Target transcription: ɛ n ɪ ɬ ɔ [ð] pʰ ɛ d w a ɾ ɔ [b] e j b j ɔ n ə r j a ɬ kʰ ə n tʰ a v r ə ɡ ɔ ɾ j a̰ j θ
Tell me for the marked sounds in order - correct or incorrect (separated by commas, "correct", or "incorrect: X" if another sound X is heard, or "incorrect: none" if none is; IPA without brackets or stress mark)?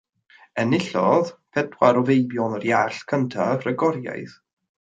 correct, incorrect: v